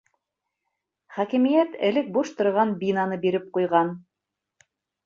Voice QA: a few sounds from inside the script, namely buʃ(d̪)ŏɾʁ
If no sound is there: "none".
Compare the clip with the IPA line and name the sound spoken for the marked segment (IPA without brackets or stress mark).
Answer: t̪